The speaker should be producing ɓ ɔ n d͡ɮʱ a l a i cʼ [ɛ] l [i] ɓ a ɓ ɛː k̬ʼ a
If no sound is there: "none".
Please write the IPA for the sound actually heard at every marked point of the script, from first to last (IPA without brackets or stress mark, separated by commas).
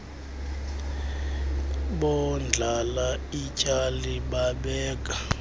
a, i